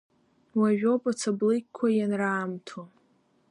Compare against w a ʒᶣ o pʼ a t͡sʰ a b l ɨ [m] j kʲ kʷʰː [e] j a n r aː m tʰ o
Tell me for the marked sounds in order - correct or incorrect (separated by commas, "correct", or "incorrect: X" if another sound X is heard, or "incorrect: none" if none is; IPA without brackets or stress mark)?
incorrect: none, incorrect: a